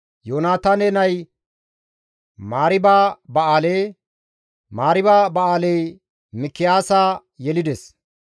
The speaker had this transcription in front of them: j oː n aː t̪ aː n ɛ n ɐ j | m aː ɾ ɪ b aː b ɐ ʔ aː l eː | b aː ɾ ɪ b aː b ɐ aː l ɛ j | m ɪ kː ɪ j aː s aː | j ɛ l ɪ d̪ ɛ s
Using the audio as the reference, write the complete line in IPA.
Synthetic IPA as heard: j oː n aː t̪ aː n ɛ n ɐ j | m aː ɾ ɪ b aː b ɐ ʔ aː l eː | m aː ɾ ɪ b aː b ɐ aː l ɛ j | m ɪ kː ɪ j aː s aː | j ɛ l ɪ d̪ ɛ s